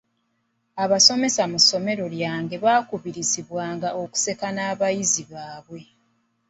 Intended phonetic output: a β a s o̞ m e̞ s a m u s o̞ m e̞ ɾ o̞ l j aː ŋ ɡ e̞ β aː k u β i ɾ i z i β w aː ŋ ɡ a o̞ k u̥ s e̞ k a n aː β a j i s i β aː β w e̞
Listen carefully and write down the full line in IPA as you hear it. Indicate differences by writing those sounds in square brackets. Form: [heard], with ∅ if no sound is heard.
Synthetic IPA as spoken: a β a s o̞ m e̞ s a m u s o̞ m e̞ ɾ o̞ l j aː ŋ ɡ e̞ β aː k u β i ɾ i z i β w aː ŋ ɡ a o̞ k u̥ s e̞ k a n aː β a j i [z] i β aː β w e̞